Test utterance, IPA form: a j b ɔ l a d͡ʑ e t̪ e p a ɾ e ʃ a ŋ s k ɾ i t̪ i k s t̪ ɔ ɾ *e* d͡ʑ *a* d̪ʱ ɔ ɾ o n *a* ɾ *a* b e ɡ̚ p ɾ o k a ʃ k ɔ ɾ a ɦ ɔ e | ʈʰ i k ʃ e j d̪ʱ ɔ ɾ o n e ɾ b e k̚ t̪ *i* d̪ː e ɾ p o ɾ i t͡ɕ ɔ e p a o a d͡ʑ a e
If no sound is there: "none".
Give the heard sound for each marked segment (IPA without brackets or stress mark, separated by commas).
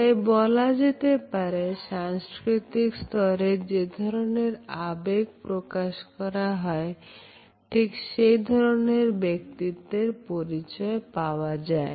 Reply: e, e, e, a, i